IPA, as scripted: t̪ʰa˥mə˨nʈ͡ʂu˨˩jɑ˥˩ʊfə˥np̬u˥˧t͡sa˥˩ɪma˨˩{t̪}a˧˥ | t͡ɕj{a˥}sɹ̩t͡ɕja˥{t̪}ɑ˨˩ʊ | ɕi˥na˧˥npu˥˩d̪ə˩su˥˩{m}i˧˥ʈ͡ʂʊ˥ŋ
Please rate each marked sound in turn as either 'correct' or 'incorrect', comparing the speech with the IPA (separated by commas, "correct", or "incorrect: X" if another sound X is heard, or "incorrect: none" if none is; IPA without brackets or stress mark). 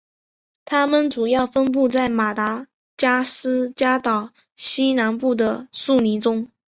correct, correct, correct, incorrect: n